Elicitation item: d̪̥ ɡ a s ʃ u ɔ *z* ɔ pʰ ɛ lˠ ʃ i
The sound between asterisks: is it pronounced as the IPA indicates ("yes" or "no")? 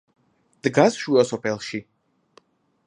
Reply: no